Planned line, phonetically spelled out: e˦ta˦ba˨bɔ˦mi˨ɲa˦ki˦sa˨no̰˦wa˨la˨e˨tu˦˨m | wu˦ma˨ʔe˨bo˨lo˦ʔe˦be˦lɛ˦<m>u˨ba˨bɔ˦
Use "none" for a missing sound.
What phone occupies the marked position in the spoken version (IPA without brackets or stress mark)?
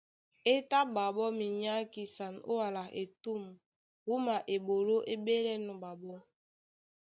n